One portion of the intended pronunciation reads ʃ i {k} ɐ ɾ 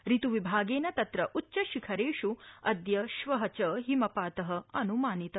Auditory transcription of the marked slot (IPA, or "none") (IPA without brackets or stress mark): kʰ